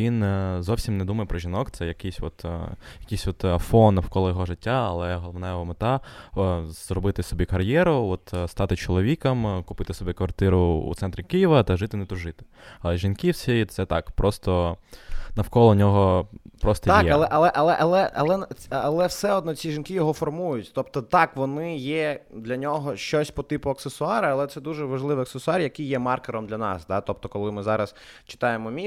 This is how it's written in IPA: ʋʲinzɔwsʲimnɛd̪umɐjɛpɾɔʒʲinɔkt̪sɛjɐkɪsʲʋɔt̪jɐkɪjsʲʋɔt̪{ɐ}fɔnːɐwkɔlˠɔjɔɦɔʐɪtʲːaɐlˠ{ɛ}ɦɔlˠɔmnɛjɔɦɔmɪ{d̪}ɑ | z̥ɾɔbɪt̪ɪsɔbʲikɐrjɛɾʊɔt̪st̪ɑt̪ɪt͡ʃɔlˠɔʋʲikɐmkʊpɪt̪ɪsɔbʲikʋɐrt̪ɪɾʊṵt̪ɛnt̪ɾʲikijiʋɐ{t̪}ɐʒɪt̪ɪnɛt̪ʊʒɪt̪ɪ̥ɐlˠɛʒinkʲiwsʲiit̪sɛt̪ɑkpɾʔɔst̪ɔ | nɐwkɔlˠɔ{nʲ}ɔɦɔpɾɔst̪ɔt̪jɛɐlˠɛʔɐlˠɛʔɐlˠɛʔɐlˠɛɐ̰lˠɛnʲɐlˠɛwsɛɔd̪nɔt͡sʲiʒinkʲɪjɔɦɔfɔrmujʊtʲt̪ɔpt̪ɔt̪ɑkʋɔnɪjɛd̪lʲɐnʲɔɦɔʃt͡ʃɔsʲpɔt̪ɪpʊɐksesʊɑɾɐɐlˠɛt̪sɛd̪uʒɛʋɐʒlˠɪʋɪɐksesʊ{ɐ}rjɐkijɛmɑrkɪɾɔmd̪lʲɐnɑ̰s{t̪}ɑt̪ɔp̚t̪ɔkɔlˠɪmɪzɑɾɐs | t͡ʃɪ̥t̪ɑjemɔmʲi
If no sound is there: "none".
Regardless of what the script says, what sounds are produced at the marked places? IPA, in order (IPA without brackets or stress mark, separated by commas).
ɐ, ɛ, t̪, t̪, nʲ, ɑ, d̪